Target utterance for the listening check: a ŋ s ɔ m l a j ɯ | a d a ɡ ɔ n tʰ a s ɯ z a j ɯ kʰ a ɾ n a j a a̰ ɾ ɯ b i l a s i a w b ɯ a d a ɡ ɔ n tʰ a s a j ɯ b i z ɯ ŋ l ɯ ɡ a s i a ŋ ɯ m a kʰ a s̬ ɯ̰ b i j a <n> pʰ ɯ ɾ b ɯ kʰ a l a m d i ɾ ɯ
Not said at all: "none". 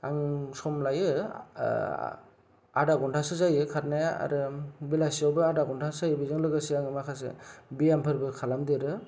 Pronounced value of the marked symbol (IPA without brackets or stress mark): m